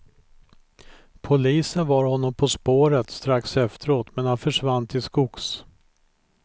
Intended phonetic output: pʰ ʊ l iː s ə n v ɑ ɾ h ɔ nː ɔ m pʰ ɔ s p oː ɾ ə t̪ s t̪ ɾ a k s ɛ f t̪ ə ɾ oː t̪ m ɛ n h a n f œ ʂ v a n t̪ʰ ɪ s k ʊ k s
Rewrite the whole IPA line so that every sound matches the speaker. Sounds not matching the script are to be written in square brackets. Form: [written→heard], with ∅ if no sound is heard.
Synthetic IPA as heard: pʰ ʊ l iː s ə n v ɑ ɾ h ɔ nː ɔ m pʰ ɔ s p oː ɾ ə t̪ s t̪ ɾ a k s ɛ f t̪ ə ɾ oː t̪ m ɛ n h a n f œ ʂ v a n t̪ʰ ɪ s k ʊ k s